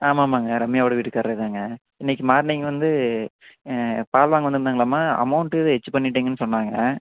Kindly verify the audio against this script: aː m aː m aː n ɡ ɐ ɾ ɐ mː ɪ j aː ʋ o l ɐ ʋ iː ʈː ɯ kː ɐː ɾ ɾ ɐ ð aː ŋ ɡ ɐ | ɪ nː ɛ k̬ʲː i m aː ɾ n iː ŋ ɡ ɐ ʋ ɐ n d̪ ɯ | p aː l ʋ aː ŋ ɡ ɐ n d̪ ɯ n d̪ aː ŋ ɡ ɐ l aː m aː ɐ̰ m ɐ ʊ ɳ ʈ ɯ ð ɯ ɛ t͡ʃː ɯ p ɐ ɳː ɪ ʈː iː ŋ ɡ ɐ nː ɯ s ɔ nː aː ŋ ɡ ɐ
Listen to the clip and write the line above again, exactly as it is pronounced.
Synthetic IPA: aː m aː m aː ŋ ɡ ɐ ɾ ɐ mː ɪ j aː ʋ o ɽ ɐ ʋ iː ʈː ɯ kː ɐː ɾ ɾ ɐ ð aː ŋ ɡ ɐ | ɪ nː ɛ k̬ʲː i m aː ɾ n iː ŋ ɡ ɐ ʋ ɐ n d̪ ɯ | p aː l ʋ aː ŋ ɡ ɐ n d̪ ɯ n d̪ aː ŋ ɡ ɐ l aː m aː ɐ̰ m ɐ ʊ ɳ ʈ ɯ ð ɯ ɛ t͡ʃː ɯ p ɐ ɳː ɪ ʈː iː ŋ ɡ ɐ nː ɯ s ɔ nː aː ŋ ɡ ɐ

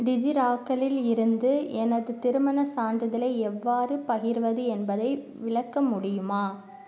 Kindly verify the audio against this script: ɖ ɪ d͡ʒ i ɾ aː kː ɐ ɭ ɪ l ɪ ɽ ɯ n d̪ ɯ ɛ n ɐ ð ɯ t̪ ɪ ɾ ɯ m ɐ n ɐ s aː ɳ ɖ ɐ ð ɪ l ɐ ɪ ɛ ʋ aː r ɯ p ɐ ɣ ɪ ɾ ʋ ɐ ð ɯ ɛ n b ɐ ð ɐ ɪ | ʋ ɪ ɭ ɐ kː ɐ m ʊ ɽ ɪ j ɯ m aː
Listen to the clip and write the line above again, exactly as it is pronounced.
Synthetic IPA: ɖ ɪ d͡ʒ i ɾ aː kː ɐ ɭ ɪ l ɪ ɾ ɯ n d̪ ɯ ɛ n ɐ ð ɯ t̪ ɪ ɾ ɯ m ɐ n ɐ s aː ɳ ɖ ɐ ð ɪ l ɐ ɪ ɛ ʋː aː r ɯ p ɐ ɣ ɪ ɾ ʋ ɐ ð ɯ ɛ n b ɐ ð ɐ ɪ | ʋ ɪ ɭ ɐ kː ɐ m ʊ ɽ ɪ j ɯ m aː

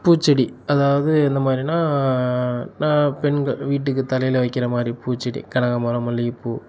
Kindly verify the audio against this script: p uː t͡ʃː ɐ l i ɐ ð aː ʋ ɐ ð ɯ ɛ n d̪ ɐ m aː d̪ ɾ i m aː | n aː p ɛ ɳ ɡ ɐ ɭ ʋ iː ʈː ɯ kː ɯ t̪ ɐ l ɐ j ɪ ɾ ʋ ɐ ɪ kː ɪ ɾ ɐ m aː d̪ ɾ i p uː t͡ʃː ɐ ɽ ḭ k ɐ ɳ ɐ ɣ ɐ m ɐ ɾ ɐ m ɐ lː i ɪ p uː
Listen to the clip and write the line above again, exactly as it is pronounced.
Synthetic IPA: p uː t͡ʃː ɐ ɽ i ɐ ð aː ʋ ɐ ð ɯ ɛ n d̪ ɐ m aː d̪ ɾ i n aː | n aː p ɛ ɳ ɡ ɐ ɭ ʋ iː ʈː ɯ kː ɯ t̪ ɐ l ɐ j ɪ l ʋ ɐ ɪ kː ɪ ɾ ɐ m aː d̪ ɾ i p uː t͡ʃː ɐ ɽ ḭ k ɐ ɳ ɐ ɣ ɐ m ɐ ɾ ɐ m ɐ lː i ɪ p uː

